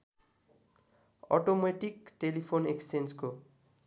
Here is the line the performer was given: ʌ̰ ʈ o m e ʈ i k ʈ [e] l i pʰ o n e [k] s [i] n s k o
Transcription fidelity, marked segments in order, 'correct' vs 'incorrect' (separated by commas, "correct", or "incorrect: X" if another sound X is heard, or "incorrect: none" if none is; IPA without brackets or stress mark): correct, correct, incorrect: e